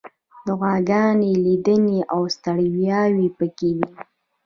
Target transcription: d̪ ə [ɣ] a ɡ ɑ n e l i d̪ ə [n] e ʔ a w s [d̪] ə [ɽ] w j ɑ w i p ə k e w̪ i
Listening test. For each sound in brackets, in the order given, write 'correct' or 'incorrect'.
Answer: correct, correct, incorrect: t̪, correct

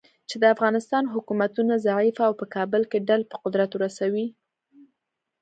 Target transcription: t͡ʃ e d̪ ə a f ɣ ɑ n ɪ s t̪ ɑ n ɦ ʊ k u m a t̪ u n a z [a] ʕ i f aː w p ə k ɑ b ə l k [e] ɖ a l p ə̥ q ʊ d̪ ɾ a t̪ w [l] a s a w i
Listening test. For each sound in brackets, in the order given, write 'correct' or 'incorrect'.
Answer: correct, correct, incorrect: ɾ

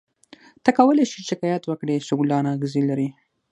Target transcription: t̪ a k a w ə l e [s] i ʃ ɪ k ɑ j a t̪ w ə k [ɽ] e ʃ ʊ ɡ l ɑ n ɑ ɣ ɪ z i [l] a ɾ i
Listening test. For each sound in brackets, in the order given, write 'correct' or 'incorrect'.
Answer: incorrect: ʃ, correct, correct

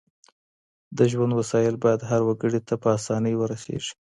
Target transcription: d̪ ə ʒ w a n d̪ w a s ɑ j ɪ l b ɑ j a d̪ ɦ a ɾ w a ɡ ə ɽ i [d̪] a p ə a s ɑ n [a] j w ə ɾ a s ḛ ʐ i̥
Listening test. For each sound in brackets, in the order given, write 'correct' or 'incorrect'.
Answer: incorrect: t̪, incorrect: ə

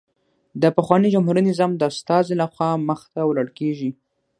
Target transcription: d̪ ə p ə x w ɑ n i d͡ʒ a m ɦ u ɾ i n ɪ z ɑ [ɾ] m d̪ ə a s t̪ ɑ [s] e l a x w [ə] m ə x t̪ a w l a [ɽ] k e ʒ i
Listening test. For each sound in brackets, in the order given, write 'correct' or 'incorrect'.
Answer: incorrect: none, incorrect: z, incorrect: ɑ, correct

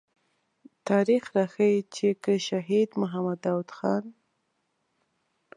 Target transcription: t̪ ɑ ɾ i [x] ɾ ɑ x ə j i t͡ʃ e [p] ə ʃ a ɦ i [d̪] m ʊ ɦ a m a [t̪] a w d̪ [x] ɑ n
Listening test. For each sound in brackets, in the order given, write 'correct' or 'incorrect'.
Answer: correct, incorrect: k, correct, incorrect: d̪, correct

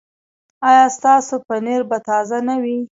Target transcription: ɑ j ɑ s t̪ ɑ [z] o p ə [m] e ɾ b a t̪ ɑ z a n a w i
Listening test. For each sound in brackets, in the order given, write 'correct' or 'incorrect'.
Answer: incorrect: s, incorrect: n

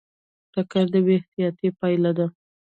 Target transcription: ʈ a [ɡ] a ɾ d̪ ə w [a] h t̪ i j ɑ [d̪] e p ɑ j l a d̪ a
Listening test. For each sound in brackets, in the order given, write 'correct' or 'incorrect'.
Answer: incorrect: k, incorrect: e, incorrect: t̪

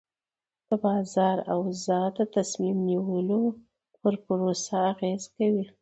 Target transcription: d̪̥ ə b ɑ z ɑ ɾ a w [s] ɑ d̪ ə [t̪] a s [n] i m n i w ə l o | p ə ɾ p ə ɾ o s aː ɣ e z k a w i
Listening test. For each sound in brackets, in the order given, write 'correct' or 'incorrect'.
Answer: incorrect: z, correct, incorrect: m

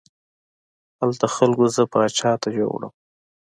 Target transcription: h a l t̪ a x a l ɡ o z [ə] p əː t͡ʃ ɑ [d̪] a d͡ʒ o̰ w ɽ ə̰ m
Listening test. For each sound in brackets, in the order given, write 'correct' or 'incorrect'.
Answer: correct, incorrect: t̪

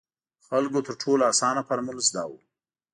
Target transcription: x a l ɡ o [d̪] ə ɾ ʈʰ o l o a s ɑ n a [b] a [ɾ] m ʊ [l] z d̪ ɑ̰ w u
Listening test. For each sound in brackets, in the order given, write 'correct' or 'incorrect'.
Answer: incorrect: t̪, incorrect: p, correct, correct

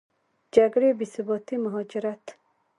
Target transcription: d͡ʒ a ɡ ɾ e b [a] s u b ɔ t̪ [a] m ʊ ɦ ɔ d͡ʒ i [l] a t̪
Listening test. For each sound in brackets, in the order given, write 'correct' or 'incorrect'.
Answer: incorrect: i, incorrect: i, incorrect: ɾ

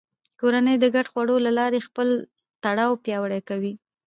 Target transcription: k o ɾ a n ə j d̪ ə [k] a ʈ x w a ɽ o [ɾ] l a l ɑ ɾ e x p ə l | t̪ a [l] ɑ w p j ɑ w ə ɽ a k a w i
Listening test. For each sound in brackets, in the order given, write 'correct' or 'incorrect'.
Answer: incorrect: ɡ, incorrect: none, incorrect: ɽ

